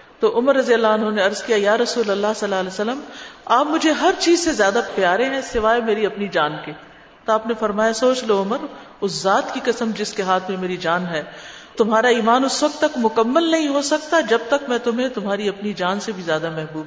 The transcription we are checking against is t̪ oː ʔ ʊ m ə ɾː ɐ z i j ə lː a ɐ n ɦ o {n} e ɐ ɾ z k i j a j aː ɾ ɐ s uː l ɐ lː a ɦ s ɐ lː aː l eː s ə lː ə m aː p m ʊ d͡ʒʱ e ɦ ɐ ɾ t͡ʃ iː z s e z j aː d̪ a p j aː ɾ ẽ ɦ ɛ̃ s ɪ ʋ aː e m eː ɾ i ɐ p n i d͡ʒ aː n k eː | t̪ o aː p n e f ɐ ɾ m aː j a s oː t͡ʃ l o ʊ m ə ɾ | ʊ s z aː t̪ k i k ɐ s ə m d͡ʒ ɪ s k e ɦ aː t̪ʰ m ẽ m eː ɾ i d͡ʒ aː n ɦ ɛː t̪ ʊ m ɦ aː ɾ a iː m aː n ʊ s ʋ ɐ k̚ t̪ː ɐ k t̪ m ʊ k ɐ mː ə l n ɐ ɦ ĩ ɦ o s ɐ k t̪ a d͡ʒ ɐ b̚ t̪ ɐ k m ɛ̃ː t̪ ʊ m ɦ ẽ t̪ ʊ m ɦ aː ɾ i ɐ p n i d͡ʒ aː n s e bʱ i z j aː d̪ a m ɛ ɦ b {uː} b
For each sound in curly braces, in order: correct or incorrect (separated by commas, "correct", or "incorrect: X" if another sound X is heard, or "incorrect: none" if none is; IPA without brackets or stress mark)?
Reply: correct, correct